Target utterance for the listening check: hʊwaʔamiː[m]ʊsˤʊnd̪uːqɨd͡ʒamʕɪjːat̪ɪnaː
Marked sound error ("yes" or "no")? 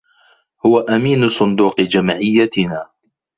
yes